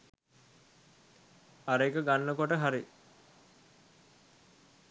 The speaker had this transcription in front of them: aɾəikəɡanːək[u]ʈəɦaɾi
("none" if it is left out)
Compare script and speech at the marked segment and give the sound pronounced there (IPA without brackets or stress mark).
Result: o